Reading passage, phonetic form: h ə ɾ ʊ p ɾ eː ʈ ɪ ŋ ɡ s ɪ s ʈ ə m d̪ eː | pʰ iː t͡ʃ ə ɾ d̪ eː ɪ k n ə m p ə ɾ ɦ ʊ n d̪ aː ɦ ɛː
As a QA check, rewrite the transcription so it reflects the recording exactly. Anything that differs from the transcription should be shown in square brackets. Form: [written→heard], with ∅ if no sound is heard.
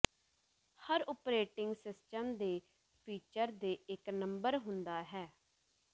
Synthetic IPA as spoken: h ə ɾ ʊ p ɾ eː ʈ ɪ ŋ ɡ s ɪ s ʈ ə m d̪ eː | pʰ iː t͡ʃ ə ɾ d̪ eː ɪ k n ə m [p→b] ə ɾ ɦ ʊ n d̪ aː ɦ ɛː